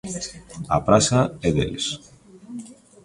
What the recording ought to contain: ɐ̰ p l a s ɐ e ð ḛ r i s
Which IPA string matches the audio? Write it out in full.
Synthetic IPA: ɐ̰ p ɾ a s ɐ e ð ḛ l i s